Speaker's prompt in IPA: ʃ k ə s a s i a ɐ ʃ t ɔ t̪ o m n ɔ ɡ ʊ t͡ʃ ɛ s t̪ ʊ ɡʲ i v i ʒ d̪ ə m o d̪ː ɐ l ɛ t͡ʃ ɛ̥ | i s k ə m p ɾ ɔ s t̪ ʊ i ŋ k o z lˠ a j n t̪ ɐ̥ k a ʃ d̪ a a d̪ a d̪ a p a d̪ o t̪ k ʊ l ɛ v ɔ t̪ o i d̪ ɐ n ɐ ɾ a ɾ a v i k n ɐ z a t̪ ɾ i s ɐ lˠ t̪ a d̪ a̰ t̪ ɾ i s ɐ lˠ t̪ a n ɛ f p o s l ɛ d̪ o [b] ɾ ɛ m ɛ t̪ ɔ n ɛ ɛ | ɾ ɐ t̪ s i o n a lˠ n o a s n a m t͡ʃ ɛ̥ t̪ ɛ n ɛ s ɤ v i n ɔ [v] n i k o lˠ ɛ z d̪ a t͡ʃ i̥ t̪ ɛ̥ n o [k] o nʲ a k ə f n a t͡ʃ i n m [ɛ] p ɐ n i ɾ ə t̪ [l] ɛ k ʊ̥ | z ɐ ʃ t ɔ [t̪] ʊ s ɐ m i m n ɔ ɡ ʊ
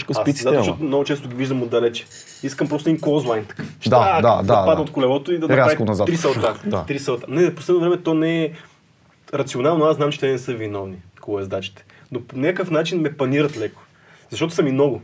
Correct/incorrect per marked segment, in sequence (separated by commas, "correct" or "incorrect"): incorrect, correct, incorrect, correct, correct, correct